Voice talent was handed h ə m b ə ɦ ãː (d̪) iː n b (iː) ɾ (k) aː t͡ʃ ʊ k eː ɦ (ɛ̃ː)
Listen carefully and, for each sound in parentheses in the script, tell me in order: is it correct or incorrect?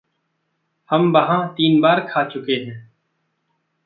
incorrect, incorrect, incorrect, correct

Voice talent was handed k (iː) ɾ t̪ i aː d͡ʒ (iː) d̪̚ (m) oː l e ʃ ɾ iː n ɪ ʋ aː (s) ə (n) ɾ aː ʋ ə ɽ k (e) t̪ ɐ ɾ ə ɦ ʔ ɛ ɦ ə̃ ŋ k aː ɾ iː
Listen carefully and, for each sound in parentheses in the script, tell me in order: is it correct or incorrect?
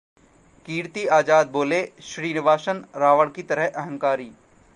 correct, incorrect, incorrect, incorrect, correct, incorrect

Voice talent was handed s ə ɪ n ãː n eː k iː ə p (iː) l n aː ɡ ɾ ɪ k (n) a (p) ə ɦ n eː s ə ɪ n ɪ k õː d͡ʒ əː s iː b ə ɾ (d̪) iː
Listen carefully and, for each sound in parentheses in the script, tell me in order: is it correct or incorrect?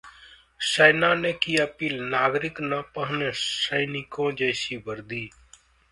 correct, correct, correct, correct

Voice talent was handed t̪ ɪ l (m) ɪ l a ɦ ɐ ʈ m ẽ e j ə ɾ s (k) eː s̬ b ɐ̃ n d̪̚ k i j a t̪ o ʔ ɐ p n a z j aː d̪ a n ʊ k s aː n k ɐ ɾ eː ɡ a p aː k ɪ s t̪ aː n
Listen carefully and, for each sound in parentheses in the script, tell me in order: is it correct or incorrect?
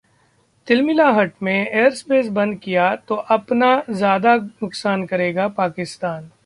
correct, incorrect

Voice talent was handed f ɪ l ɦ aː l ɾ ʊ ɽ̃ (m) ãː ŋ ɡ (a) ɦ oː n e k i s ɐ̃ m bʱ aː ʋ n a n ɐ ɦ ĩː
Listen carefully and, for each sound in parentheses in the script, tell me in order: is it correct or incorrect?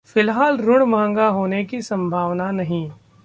correct, correct

